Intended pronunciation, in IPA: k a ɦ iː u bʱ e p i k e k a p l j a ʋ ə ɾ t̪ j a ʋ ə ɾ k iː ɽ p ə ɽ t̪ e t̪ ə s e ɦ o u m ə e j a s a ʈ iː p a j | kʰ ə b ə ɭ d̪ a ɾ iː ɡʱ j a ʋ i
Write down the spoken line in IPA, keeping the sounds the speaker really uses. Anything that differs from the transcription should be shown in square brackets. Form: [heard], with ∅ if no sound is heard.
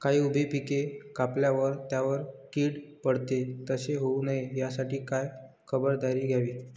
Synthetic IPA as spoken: k a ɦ iː u bʱ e p i k e k a p l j a ʋ ə ɾ t̪ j a ʋ ə ɾ k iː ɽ p ə ɽ t̪ e t̪ ə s e ɦ o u [n] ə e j a s a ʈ iː [k] a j | kʰ ə b ə [ɾ] d̪ a ɾ iː ɡʱ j a ʋ [iː]